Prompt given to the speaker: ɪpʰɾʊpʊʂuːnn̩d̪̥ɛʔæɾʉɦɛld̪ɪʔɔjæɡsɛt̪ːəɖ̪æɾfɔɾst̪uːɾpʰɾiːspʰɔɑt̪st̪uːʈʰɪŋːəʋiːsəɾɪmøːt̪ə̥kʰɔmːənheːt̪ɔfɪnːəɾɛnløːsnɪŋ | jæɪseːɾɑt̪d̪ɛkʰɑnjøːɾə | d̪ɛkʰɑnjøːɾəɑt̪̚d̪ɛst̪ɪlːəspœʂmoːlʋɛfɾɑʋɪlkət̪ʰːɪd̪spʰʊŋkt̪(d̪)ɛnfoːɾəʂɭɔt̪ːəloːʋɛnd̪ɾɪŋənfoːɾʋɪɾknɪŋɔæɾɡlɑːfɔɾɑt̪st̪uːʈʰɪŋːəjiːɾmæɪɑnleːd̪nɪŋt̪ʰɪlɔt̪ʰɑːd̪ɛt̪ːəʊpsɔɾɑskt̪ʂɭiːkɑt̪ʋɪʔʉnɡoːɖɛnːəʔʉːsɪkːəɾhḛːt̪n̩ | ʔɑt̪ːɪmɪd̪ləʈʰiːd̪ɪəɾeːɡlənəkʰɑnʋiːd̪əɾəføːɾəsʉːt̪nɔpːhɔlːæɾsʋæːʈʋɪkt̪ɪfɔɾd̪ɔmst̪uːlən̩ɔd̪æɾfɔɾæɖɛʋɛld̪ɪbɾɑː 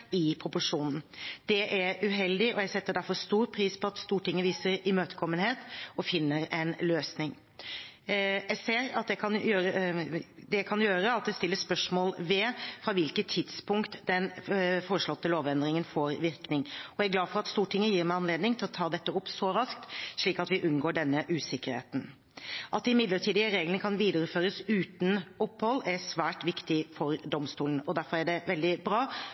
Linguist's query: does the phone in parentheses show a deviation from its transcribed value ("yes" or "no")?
no